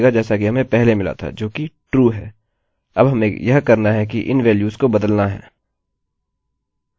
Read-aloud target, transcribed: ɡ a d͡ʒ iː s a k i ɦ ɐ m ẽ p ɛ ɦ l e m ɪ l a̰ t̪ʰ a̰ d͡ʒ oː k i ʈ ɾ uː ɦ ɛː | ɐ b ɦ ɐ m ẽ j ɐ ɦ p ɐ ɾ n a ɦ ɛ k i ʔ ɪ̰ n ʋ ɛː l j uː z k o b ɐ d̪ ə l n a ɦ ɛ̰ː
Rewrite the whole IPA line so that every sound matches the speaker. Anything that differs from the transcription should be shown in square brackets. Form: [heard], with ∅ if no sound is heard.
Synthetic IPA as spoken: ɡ a d͡ʒ [ɛː] s a k i ɦ ɐ m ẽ p ɛ ɦ l e m ɪ l a̰ t̪ʰ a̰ d͡ʒ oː k i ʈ ɾ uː ɦ ɛː | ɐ b ɦ ɐ m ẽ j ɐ ɦ [k] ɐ ɾ n a ɦ ɛ k i ʔ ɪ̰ n ʋ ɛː l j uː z k o b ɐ d̪ ə l n a ɦ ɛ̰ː